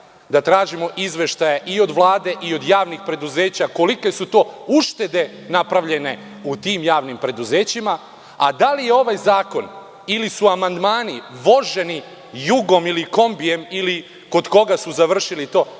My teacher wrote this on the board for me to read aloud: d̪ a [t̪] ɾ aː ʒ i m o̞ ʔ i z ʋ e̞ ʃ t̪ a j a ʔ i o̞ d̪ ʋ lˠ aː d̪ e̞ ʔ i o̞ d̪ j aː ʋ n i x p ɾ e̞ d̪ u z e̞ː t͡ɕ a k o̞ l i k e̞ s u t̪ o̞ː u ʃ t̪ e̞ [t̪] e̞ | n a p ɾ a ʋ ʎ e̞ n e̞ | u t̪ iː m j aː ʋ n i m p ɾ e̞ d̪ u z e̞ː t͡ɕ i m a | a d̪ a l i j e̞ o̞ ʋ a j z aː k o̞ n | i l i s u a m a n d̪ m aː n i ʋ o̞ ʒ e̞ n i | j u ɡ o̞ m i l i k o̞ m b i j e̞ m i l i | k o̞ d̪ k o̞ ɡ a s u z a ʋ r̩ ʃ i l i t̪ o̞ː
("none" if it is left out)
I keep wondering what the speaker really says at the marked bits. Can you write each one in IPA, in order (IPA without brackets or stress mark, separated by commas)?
t̪, d̪